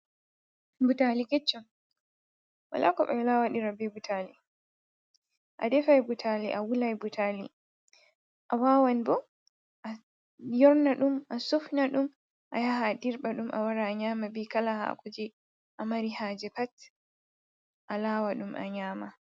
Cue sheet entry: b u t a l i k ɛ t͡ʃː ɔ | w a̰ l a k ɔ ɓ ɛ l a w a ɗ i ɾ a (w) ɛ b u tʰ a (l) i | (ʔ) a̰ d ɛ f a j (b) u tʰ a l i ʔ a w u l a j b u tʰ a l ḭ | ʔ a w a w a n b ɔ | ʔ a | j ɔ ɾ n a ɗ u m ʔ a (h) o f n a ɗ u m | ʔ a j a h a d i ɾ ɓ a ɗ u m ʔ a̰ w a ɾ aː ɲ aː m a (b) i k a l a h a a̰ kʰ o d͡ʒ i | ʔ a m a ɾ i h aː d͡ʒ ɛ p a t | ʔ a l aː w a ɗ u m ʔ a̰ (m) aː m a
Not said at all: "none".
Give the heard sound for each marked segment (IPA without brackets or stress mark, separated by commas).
b, l, ʔ, b, s, b, ɲ